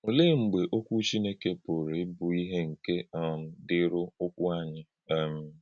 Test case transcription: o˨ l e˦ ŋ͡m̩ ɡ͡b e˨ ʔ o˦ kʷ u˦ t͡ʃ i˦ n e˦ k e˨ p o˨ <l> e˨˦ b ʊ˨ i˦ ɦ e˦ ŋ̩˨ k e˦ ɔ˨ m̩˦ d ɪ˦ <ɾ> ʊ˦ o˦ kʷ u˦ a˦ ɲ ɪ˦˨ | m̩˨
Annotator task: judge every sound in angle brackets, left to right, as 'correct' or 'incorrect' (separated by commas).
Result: incorrect, correct